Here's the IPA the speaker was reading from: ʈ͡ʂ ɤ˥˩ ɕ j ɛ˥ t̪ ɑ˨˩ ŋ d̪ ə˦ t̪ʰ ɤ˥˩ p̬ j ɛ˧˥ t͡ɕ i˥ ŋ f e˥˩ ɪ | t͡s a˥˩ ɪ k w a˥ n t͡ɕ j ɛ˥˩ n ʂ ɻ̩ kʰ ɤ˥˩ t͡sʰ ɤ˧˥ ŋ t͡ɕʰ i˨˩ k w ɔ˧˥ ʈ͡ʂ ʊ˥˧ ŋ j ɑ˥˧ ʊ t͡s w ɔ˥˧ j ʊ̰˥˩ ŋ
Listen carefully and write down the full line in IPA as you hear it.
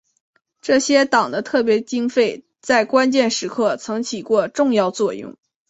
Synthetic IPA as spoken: ʈ͡ʂ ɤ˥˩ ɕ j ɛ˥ t̪ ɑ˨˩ ŋ d̪ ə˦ t̪ʰ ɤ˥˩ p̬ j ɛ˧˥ t͡ɕ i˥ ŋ f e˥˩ ɪ | t͡s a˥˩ ɪ k w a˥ n t͡ɕ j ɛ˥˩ n ʂ ɻ̩ kʰ ɤ˥˩ t͡sʰ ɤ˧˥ ŋ t͡ɕʰ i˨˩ k w ɔ˥˧ ʈ͡ʂ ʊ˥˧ ŋ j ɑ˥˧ ʊ t͡s w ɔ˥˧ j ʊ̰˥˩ ŋ

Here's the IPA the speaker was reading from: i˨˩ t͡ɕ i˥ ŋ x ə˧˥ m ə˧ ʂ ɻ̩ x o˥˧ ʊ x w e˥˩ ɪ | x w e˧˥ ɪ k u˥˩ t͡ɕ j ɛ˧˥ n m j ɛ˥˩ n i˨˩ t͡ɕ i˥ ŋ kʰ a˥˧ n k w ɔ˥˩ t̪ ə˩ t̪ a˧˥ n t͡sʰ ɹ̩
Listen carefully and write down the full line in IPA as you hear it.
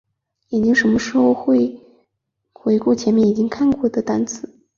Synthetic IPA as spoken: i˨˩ t͡ɕ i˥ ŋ ʂ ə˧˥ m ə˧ ʂ ɻ̩ x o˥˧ ʊ x w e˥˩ ɪ | x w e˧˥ ɪ k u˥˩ t͡ɕʰ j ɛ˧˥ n m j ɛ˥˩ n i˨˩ t͡ɕ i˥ ŋ kʰ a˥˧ n k w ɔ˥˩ d̪ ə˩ t̪ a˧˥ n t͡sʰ ɹ̩

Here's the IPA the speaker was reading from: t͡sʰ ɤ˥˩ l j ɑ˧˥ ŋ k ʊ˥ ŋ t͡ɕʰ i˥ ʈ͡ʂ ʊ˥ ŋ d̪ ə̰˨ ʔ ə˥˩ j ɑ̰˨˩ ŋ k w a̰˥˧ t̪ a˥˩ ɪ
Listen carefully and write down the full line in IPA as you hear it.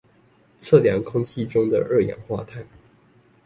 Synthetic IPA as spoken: t͡sʰ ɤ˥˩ l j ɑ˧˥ ŋ kʰ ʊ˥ ŋ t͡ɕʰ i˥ ʈ͡ʂ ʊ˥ ŋ d̪ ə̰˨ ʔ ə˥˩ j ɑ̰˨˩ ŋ x w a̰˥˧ t̪ʰ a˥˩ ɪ

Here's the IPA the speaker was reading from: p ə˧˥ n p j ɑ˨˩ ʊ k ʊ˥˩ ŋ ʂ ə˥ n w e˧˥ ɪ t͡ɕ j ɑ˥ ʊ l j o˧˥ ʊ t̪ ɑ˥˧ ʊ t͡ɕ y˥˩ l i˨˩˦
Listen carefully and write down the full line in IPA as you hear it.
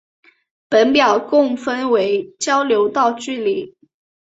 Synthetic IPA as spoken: p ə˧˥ n p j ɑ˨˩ ʊ k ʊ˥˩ ŋ f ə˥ n w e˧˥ ɪ t͡ɕ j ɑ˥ ʊ l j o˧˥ ʊ t̪ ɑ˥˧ ʊ t͡ɕ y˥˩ l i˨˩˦

